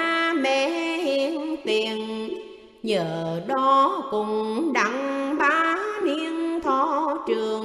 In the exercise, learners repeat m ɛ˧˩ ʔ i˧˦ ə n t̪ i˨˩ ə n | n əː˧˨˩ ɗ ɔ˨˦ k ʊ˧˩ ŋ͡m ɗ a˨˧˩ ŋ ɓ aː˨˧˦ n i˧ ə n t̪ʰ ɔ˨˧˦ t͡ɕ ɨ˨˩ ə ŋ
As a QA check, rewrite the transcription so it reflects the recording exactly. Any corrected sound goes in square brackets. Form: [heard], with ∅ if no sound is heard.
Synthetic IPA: m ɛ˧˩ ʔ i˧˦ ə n t̪ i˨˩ ə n | [ɲ] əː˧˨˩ ɗ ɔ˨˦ k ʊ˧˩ ŋ͡m ɗ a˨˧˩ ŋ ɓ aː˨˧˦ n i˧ ə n t̪ʰ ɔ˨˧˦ t͡ɕ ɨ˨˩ ə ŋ